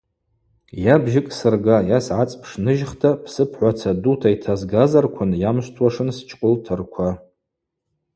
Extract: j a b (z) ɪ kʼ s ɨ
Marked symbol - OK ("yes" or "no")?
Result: no